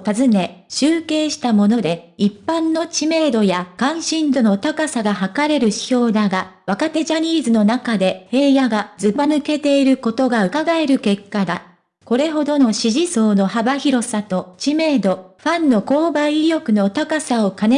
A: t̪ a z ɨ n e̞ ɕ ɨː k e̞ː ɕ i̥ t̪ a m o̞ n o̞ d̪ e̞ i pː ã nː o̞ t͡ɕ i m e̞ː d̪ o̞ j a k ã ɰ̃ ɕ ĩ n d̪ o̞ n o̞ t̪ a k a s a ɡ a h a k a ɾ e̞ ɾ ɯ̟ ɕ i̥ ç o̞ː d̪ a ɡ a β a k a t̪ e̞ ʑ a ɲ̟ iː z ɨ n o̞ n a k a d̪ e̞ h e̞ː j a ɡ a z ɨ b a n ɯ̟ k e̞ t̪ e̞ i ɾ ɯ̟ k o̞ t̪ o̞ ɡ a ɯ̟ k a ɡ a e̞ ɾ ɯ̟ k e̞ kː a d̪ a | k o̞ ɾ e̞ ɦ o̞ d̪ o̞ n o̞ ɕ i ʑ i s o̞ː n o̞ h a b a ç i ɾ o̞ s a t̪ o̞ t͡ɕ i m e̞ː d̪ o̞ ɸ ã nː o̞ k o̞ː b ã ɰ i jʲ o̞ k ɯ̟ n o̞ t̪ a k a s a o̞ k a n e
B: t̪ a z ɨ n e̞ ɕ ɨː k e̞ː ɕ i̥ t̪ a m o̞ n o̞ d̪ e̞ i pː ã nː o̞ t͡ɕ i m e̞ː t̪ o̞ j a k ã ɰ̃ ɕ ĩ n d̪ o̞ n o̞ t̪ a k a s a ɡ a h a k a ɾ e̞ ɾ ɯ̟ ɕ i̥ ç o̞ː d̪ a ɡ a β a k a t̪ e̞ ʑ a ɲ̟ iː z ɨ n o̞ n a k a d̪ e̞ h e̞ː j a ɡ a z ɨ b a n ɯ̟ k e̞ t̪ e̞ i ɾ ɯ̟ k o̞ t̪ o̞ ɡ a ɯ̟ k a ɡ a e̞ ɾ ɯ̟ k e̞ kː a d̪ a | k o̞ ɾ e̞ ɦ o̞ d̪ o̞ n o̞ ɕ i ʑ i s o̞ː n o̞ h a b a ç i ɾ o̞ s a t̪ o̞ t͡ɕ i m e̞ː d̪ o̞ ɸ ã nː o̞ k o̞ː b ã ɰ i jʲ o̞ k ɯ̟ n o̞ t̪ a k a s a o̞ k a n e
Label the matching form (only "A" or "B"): A